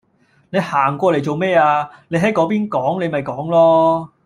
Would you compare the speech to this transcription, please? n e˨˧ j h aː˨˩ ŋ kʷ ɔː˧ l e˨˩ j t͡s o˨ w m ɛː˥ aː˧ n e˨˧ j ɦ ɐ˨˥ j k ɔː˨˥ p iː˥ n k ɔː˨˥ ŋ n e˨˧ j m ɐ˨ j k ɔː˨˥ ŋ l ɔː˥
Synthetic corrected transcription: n e˨˧ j h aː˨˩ ŋ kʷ ɔː˧ l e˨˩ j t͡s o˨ w m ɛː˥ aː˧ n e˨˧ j ɦ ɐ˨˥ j k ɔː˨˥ p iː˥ n k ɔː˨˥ ŋ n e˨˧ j m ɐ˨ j k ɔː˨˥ ŋ l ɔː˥